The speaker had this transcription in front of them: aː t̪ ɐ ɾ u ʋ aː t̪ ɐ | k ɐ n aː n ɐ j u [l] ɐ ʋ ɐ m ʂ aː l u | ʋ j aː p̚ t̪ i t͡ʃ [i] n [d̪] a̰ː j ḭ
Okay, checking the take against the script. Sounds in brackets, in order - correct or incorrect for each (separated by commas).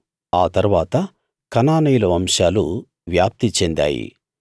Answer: correct, incorrect, correct